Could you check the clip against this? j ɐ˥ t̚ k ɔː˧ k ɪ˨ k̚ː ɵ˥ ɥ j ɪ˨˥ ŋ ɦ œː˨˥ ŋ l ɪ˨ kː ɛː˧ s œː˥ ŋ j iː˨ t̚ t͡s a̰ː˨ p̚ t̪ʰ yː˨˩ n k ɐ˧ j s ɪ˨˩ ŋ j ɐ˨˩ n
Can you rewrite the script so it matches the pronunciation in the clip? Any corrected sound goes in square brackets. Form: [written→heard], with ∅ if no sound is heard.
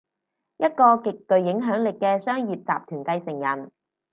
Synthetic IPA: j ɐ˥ t̚ k ɔː˧ k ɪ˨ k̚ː [ɵ˥→ɵ˨] ɥ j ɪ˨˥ ŋ ɦ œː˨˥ ŋ l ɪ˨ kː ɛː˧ s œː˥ ŋ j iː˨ [t̚→p̚] t͡s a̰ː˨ p̚ t̪ʰ yː˨˩ n k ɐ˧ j s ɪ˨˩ ŋ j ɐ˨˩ n